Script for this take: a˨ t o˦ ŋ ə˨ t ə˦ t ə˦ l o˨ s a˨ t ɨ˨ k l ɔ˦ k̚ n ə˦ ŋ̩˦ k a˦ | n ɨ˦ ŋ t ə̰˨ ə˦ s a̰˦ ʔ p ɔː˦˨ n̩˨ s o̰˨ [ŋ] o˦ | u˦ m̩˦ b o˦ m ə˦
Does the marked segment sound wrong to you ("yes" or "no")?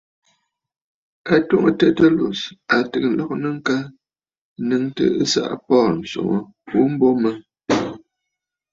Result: no